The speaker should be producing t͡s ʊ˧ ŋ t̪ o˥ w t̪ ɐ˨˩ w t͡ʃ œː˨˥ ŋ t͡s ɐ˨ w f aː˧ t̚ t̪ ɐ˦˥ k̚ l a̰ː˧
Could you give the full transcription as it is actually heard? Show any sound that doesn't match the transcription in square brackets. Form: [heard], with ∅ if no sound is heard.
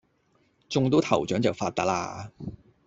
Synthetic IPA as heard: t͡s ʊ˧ ŋ t̪ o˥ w [t̪ʰ] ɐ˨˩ w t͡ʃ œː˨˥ ŋ t͡s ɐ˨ w f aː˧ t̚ t̪ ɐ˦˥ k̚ l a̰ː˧